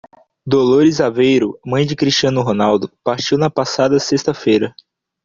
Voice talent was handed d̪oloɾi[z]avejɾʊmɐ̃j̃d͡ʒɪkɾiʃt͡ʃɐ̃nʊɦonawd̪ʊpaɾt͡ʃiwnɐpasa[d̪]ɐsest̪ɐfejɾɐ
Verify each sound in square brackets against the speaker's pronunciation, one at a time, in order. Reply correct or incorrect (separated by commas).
correct, correct